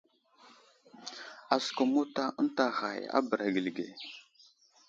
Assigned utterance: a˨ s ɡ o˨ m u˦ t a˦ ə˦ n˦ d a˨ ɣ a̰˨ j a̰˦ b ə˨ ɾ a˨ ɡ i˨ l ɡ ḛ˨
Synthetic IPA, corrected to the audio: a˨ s k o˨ m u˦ t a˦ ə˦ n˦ t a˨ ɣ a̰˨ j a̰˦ b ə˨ ɾ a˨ ɡ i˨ l ɡ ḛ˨